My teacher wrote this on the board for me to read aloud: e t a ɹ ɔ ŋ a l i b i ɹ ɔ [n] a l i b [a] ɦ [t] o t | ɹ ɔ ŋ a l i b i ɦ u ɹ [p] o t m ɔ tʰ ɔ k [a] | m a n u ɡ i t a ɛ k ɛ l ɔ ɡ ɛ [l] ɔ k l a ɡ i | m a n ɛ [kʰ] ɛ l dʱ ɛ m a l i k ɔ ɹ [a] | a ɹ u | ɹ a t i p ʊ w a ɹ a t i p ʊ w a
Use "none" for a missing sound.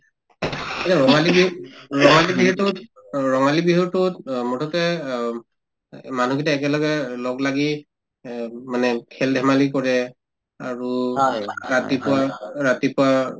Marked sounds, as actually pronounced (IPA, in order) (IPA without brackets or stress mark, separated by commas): ŋ, i, t, t, ɛ, l, kʰ, ɛ